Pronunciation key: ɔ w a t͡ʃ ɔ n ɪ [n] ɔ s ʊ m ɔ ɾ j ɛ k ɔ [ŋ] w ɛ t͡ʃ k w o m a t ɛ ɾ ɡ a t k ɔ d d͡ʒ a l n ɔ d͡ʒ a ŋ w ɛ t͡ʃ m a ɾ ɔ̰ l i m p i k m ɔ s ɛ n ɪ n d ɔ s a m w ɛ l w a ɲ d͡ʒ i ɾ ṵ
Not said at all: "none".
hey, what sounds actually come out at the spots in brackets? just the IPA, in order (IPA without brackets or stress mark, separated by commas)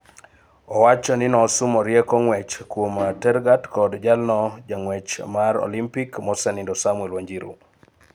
n, ŋ